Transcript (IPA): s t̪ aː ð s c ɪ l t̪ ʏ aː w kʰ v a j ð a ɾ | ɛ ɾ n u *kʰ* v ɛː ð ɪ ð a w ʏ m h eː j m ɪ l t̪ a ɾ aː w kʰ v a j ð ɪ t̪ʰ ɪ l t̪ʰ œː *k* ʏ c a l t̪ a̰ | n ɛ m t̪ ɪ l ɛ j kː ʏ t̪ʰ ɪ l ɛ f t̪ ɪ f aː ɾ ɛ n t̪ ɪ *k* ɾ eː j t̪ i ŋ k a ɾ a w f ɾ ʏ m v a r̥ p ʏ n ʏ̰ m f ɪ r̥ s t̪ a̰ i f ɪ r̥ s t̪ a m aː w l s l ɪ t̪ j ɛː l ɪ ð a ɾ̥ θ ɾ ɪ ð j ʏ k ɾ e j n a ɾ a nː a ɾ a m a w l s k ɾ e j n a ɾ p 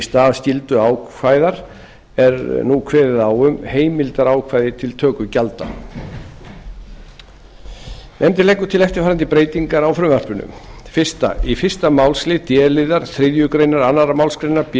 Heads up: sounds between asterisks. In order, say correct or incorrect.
correct, correct, incorrect: p

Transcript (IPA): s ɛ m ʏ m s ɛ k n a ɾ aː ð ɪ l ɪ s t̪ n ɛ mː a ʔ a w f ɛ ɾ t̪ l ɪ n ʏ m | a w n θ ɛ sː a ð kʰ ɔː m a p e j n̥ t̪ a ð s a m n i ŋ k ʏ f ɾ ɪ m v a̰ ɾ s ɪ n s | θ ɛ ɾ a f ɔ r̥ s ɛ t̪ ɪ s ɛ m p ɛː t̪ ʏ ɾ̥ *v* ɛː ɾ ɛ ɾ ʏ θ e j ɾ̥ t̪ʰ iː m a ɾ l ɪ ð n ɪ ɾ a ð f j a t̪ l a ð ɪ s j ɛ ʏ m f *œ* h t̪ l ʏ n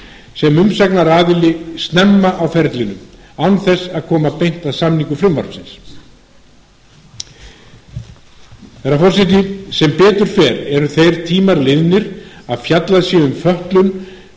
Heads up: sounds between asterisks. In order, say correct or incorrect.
incorrect: f, correct

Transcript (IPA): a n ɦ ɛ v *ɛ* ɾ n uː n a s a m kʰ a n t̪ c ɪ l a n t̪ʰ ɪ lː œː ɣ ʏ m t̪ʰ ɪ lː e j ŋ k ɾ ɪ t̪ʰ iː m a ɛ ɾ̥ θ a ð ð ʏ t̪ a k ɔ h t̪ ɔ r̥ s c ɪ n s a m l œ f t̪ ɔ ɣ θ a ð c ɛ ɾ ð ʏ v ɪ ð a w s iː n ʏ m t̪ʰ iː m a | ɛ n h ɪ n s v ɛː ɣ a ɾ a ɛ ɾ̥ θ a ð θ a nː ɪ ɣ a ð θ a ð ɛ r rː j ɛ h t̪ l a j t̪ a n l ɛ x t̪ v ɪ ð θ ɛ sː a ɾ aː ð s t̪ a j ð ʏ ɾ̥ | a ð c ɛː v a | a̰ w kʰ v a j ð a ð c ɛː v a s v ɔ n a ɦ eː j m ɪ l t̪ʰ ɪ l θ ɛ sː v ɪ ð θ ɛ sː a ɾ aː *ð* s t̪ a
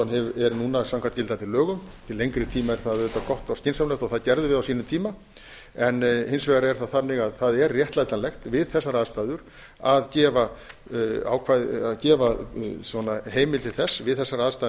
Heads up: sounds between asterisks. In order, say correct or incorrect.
correct, correct

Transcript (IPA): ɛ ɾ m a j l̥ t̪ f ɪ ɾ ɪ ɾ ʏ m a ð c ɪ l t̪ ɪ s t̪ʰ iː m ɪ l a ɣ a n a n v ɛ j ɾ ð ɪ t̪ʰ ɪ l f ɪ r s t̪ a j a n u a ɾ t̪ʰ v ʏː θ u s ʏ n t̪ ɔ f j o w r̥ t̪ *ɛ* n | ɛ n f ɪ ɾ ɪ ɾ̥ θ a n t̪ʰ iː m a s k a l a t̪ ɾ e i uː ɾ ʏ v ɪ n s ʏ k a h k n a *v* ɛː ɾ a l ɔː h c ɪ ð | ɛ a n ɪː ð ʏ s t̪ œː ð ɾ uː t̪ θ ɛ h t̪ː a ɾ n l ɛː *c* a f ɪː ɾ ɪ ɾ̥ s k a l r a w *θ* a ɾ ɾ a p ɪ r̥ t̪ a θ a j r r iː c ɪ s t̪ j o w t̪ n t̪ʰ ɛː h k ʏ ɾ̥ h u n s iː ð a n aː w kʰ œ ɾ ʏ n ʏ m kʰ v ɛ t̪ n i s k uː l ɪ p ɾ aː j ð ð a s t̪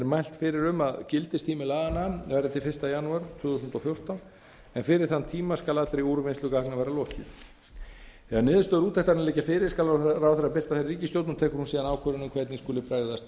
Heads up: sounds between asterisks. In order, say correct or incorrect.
incorrect: a, correct, correct, correct

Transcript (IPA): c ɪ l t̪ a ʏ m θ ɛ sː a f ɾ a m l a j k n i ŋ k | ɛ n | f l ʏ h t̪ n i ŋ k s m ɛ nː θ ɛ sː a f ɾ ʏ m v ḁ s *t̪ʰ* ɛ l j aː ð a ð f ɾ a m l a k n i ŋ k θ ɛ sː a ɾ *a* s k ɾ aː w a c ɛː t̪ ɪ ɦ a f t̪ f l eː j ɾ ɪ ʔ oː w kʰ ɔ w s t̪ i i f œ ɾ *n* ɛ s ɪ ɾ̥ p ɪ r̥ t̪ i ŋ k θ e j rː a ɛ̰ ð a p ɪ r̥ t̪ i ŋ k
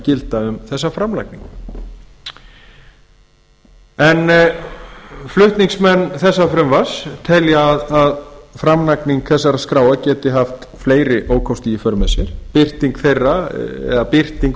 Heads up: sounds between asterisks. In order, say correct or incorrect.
correct, correct, incorrect: m

